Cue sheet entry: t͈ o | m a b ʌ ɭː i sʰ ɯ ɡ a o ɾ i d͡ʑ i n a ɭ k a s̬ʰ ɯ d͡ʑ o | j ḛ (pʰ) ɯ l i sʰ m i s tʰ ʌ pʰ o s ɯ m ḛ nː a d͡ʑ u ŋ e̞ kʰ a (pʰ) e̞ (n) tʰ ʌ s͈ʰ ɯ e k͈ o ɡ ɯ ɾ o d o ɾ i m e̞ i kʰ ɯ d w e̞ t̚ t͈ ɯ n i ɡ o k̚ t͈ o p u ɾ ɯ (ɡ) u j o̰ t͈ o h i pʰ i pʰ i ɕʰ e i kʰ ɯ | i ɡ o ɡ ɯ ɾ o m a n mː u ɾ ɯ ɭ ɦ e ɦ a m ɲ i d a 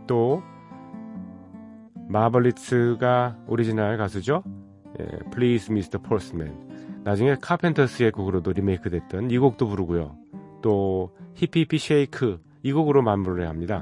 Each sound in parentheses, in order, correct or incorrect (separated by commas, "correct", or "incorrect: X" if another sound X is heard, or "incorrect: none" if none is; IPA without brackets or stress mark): correct, correct, correct, correct